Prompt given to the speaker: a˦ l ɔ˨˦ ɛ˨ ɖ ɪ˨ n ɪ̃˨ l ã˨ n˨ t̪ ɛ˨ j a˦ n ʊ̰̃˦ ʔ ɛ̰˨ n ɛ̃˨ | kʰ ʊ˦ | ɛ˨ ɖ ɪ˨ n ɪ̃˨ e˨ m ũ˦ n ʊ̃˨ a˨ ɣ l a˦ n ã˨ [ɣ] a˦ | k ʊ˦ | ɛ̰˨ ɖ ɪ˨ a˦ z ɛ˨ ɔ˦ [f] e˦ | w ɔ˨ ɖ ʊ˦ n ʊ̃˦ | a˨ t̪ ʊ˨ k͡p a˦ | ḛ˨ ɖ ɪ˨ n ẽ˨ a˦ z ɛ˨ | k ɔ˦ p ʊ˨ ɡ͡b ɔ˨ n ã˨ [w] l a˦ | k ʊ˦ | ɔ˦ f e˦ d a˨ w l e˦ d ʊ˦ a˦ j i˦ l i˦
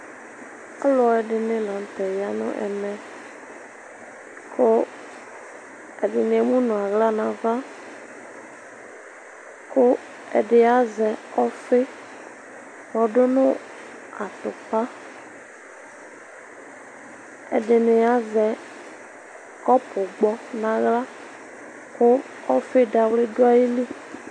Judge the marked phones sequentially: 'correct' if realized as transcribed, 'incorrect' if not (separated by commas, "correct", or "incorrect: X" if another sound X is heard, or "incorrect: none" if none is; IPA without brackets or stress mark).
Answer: incorrect: v, correct, incorrect: ɣ